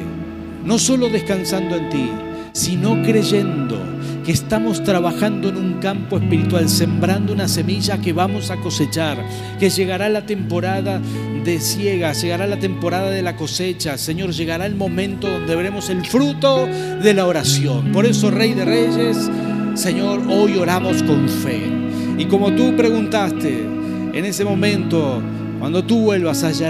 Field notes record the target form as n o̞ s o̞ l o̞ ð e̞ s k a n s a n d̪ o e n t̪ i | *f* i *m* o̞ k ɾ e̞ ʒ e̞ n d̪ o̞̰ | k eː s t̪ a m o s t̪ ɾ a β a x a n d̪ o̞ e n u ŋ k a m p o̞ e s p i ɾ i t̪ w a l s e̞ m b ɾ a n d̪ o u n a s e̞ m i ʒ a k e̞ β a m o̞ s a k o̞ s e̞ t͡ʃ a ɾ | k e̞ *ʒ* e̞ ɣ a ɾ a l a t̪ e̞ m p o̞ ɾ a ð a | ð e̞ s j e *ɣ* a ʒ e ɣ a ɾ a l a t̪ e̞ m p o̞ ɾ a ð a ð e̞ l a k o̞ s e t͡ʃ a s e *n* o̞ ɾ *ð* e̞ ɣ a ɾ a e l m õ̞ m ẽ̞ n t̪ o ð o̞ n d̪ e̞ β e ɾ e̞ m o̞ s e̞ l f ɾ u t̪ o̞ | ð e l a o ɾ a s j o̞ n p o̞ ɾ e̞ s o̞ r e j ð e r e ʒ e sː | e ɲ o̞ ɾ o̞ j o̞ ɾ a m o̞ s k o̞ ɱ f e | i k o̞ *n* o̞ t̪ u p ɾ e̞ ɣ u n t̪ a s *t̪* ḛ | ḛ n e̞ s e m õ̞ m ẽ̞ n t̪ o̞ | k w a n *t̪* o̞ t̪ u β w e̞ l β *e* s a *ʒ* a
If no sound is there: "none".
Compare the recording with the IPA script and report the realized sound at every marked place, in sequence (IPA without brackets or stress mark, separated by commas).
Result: s, n, ʒ, ɣ, ɲ, ʒ, m, t̪, d̪, a, ʒ